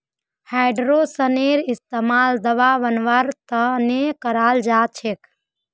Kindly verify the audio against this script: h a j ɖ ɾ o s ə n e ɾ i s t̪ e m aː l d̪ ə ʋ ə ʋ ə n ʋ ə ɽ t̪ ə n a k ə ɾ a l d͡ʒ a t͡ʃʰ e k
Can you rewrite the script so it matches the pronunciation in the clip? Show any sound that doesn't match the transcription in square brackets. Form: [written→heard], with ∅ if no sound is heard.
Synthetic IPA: h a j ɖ ɾ o s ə n e ɾ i s t̪ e m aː l d̪ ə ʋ [ə→a] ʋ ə n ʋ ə [ɽ→ɾ] t̪ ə n [a→e] k ə ɾ a l d͡ʒ a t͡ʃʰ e k